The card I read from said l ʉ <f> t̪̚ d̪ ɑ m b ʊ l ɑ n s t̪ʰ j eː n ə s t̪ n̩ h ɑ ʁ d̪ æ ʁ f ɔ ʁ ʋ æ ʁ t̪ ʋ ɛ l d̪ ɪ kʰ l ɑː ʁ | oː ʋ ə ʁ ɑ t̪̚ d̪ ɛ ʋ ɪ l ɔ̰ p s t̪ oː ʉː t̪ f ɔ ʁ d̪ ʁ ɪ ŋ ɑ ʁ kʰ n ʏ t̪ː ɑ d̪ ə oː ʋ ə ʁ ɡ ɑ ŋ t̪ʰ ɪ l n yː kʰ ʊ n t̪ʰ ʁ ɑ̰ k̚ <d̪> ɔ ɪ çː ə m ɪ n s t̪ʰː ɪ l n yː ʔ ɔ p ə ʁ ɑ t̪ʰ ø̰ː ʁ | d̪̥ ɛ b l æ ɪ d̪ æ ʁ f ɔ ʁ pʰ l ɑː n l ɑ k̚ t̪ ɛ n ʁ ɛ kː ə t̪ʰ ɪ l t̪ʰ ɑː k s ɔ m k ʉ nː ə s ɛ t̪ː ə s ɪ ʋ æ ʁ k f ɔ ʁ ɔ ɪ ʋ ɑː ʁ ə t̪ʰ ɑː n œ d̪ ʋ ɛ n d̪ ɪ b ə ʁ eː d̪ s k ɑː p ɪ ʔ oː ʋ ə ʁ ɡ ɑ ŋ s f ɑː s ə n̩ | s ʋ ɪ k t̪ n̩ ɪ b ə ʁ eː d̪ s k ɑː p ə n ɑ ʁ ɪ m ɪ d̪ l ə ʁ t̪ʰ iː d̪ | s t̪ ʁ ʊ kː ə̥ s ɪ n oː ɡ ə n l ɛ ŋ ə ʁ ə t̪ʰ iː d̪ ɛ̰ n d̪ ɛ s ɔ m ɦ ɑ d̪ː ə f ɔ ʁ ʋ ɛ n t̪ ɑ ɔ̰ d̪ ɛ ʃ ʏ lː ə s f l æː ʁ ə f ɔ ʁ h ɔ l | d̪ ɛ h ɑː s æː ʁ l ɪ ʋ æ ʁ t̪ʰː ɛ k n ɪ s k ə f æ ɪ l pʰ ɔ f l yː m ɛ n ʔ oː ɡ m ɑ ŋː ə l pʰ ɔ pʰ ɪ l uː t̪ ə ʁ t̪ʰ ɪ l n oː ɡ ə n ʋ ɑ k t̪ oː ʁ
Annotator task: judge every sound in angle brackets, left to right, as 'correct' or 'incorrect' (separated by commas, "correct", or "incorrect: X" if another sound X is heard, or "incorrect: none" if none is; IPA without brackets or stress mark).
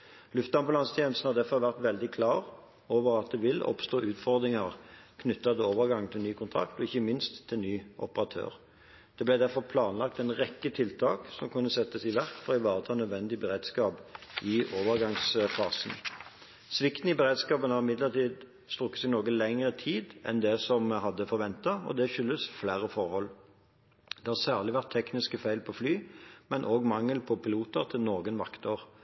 correct, incorrect: t̪